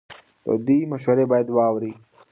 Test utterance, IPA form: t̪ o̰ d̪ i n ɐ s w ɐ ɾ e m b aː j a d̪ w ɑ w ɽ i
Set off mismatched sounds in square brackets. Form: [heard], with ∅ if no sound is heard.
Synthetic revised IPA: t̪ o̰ d̪ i [m] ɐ [ʃ] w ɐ ɾ e [∅] b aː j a d̪ w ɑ w [ɾ] i